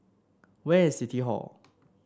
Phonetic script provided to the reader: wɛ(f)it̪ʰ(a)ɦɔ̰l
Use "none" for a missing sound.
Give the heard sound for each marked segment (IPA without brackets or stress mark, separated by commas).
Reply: s, i